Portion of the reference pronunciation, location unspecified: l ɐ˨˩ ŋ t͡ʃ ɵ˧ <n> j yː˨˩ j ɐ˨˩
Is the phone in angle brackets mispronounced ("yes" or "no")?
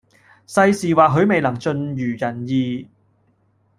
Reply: no